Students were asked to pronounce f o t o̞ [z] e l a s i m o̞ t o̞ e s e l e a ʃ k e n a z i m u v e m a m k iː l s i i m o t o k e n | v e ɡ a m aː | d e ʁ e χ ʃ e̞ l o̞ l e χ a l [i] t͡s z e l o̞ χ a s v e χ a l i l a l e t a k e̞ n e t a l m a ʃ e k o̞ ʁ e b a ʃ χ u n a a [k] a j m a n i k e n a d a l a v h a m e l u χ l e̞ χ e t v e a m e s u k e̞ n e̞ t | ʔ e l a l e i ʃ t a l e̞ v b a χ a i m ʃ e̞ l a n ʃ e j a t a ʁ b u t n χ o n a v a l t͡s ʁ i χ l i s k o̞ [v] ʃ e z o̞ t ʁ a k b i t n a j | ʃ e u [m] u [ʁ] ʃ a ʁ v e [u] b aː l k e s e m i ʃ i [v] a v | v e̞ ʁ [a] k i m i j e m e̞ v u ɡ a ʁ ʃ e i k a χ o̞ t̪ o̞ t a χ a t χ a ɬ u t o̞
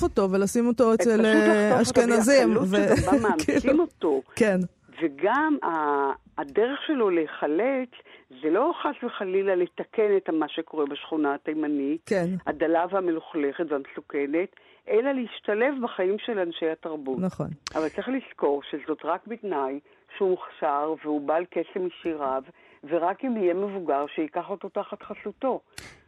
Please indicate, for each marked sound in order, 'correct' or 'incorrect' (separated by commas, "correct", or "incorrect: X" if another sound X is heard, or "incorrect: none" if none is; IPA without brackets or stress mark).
incorrect: v, incorrect: e, incorrect: t, incorrect: ʁ, correct, incorrect: χ, correct, incorrect: ʁ, correct